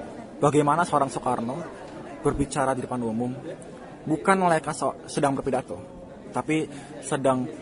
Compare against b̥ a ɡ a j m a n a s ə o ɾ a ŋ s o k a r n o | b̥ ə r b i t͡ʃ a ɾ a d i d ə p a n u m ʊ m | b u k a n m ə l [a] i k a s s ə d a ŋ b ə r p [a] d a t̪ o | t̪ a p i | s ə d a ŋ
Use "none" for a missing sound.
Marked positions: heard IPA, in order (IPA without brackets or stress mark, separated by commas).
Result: a, i